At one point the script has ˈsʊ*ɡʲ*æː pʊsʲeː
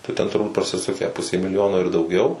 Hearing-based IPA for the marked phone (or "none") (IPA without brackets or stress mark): kʲ